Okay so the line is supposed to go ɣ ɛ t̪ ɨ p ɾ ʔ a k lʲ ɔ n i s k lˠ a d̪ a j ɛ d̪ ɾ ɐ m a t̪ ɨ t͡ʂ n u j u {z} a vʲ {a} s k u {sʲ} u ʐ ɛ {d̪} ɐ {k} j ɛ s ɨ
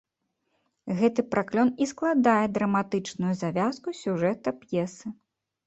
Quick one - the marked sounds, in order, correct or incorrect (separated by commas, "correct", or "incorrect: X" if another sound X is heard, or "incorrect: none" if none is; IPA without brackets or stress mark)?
correct, correct, correct, incorrect: t̪, incorrect: p